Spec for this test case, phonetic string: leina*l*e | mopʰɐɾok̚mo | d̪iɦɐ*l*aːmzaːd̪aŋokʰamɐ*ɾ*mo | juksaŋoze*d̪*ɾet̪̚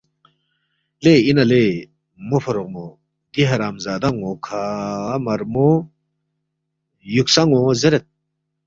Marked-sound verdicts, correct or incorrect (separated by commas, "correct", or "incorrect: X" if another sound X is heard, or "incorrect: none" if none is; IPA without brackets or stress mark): correct, incorrect: ɾ, correct, incorrect: none